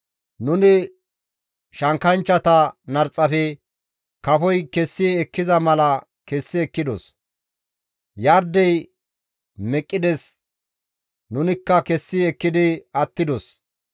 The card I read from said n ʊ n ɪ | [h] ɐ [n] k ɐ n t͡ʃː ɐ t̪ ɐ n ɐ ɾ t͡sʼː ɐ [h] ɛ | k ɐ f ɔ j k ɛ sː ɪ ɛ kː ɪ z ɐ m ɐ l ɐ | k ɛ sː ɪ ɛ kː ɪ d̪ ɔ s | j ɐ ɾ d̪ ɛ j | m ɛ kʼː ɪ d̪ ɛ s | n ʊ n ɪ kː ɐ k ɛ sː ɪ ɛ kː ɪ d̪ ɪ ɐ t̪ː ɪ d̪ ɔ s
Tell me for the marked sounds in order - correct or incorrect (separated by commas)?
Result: incorrect, incorrect, incorrect